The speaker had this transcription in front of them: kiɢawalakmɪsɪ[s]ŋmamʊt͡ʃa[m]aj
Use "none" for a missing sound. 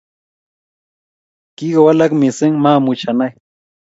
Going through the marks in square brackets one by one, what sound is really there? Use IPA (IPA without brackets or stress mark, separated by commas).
none, n